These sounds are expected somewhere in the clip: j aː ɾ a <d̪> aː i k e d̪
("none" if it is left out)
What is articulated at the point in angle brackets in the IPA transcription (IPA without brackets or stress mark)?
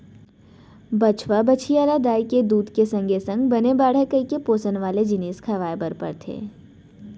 d̪